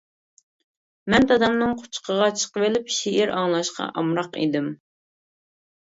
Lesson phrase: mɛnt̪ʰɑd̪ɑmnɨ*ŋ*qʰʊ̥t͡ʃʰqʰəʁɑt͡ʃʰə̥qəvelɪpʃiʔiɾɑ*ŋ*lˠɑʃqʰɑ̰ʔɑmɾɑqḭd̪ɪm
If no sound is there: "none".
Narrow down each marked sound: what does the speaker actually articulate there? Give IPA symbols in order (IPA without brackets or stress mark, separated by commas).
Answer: ŋ, ŋ